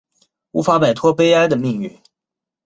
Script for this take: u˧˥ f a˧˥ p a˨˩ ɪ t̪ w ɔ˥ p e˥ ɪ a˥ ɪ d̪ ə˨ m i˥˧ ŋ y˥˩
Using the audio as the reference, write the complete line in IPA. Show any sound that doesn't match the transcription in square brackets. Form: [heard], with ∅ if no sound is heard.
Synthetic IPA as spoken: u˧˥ f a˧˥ p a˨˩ ɪ [t̪ʰ] w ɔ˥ p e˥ ɪ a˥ ɪ d̪ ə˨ m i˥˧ ŋ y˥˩